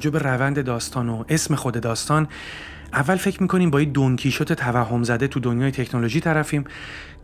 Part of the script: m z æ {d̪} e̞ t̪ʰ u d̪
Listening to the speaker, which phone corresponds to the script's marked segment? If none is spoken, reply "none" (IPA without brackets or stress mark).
d̪